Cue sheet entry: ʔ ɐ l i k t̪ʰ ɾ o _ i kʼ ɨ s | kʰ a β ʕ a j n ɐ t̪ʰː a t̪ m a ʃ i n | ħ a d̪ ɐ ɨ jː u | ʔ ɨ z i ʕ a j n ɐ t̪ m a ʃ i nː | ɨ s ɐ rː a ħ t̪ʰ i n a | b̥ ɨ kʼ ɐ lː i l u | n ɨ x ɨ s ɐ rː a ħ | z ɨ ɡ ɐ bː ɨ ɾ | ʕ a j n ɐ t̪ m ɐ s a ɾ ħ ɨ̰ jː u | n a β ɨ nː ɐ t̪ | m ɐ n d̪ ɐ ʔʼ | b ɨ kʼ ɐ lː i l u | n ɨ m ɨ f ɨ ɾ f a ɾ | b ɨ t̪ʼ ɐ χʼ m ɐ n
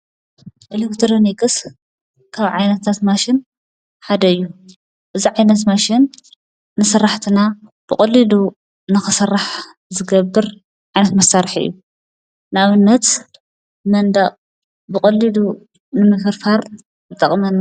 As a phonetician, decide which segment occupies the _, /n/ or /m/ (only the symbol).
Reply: n